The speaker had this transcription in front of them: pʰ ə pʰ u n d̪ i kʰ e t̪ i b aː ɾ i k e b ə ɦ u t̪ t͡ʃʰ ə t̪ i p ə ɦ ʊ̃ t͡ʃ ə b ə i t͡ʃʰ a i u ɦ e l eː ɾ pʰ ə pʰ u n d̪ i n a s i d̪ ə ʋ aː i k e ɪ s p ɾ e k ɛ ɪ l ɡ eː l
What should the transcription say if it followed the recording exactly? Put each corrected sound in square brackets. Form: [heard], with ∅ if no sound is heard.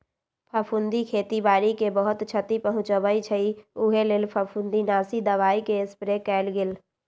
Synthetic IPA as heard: pʰ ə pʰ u n d̪ i kʰ e t̪ i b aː ɾ i k e b ə ɦ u t̪ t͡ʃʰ ə t̪ i p ə ɦ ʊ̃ t͡ʃ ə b ə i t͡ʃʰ [ə] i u ɦ e l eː [l] pʰ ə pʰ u n d̪ i n a s i d̪ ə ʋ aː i k e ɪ s p ɾ e k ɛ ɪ l ɡ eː l